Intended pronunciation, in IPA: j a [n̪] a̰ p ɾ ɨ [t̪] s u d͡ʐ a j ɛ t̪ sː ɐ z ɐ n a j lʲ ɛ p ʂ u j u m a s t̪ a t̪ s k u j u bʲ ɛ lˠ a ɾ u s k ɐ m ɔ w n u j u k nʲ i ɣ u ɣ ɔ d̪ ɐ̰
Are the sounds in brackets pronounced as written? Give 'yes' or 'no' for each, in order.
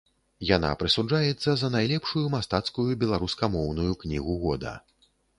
yes, no

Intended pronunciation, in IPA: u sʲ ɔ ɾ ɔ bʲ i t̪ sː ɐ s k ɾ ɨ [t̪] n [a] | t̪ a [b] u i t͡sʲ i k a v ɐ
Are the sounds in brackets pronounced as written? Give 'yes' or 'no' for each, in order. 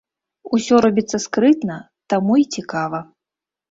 yes, no, no

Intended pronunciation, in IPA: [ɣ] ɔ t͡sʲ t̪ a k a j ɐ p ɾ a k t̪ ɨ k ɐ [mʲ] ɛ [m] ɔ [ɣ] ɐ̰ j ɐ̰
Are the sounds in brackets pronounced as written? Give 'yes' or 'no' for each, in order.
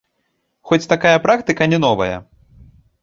no, no, no, no

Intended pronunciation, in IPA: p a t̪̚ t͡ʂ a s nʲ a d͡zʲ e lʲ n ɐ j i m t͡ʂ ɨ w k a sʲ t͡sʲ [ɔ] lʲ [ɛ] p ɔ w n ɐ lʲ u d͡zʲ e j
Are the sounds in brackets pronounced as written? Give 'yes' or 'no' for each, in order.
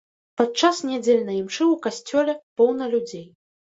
yes, yes

